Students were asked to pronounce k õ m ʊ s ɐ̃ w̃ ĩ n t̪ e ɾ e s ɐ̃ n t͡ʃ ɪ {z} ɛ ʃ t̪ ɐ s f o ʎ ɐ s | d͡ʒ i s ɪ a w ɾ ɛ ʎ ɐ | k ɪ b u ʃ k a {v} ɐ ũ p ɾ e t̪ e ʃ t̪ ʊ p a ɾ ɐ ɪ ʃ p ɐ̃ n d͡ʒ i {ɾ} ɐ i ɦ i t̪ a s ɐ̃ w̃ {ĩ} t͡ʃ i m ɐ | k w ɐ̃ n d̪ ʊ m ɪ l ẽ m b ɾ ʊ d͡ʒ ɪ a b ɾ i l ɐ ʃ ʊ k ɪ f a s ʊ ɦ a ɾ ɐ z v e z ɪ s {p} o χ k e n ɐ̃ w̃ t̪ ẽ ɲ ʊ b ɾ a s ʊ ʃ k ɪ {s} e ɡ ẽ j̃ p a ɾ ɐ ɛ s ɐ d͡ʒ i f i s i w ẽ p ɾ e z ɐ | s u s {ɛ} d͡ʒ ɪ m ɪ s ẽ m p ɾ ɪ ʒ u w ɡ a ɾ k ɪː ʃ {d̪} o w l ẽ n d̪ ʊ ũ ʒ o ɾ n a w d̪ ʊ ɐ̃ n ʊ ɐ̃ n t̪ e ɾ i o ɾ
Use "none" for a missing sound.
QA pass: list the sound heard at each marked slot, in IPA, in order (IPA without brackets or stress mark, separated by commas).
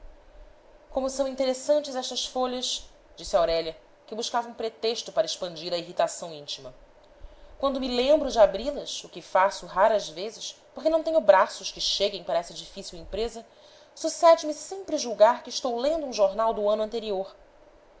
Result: z, v, ɾ, ĩ, p, ʃ, ɛ, t̪